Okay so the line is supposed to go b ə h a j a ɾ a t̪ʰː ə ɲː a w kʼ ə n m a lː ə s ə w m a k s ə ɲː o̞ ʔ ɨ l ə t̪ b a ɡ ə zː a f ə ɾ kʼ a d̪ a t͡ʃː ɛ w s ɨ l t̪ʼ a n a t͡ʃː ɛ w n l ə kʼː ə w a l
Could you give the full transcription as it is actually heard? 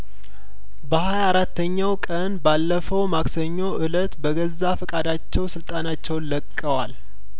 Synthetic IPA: b ə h a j a ɾ a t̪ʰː ə ɲː a w kʼ ə n b a lː ə f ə w m a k s ə ɲː o̞ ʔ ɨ l ə t̪ b ə ɡ ə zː a f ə kʼ a d̪ a t͡ʃː ɛ w s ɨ l t̪ʼ a n a t͡ʃː ɛ w n l ə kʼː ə w a l